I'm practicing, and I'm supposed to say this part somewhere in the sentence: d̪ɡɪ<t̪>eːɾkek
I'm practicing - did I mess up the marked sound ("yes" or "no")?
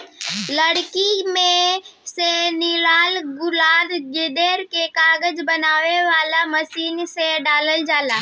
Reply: yes